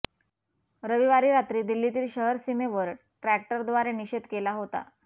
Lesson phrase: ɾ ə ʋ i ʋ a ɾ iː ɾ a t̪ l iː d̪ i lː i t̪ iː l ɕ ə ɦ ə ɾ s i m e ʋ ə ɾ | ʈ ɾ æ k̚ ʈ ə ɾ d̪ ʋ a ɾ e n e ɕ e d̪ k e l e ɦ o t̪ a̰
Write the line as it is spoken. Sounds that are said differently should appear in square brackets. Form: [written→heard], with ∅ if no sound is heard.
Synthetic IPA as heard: ɾ ə ʋ i ʋ a ɾ iː ɾ a t̪ [l→ɾ] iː d̪ i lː i t̪ iː l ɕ ə ɦ ə ɾ s i m e ʋ ə ɾ | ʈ ɾ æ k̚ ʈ ə ɾ d̪ ʋ a ɾ e n [e→i] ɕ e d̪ k e l [e→a] ɦ o t̪ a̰